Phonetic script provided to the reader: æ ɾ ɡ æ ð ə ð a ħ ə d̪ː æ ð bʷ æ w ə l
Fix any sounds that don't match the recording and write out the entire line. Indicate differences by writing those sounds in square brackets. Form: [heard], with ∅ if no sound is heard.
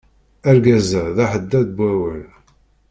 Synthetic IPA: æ ɾ ɡ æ [z] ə ð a ħ ə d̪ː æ ð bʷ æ w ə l